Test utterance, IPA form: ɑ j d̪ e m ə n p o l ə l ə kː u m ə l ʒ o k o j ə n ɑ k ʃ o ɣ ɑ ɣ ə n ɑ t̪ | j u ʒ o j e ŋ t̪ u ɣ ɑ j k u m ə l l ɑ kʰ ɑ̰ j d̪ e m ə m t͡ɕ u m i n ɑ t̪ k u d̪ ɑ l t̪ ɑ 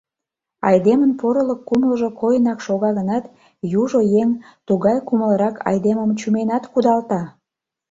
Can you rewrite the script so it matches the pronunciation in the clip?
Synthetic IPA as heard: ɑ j d̪ e m ə n p o ɾ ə l ə kː u m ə l ʒ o k o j ə n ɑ k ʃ o ɣ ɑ ɣ ə n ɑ t̪ | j u ʒ o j e ŋ t̪ u ɣ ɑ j k u m ə l ɾ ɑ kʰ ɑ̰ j d̪ e m ə m t͡ɕ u m e n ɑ t̪ k u d̪ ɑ l t̪ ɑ